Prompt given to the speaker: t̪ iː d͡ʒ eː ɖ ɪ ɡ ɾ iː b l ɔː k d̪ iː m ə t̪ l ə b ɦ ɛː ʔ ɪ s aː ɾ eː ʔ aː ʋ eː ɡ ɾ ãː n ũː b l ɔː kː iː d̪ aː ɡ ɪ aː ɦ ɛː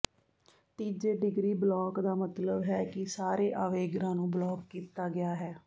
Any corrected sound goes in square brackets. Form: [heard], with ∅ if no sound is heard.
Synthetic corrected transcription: t̪ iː d͡ʒ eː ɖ ɪ ɡ ɾ iː b l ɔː k d̪ [aː] m ə t̪ l ə b ɦ ɛː [k] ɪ s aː ɾ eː ʔ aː ʋ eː ɡ ɾ ãː n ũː b l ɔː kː iː [t̪] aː ɡ ɪ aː ɦ ɛː